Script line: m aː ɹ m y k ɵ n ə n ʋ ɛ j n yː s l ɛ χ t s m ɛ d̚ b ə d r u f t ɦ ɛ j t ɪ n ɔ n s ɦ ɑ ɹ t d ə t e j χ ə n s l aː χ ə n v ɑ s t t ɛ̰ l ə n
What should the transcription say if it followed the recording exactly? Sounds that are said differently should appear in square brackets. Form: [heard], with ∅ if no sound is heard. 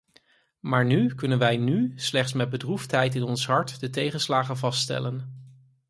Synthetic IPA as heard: m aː ɹ [n] y k ɵ n ə n ʋ ɛ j n [y] s l ɛ χ t s m ɛ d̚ b ə d r u f t ɦ ɛ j t ɪ n ɔ n s ɦ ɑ ɹ t d ə t e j χ ə n s l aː χ ə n v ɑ s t t ɛ̰ l ə n